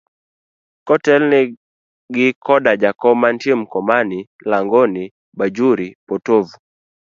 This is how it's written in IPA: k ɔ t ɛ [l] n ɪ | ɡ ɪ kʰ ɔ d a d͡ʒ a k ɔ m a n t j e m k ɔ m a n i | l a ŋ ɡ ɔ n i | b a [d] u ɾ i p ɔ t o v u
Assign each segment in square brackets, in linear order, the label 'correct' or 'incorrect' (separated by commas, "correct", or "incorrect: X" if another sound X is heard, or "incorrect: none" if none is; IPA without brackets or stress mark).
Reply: correct, incorrect: d͡ʒ